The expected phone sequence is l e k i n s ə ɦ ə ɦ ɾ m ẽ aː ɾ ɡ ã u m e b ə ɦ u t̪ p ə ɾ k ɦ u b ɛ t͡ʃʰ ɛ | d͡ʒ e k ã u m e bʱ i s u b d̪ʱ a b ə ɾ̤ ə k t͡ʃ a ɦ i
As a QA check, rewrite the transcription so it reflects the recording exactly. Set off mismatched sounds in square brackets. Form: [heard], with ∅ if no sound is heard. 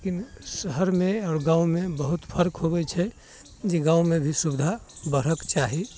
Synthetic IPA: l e k i n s ə ɦ ə [∅] ɾ m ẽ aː ɾ ɡ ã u m e b ə ɦ u t̪ [pʰ] ə ɾ k ɦ [o] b ɛ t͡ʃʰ ɛ | d͡ʒ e [ɡ] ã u m e bʱ i s u b d̪ʱ a b ə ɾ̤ ə k t͡ʃ a ɦ i